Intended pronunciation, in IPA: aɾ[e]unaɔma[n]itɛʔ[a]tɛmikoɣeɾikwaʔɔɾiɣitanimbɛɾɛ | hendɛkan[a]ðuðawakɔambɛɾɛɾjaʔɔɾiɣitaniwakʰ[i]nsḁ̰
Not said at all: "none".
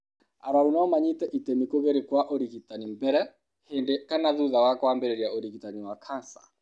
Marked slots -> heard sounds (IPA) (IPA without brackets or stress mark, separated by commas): a, ɲ, i, a, a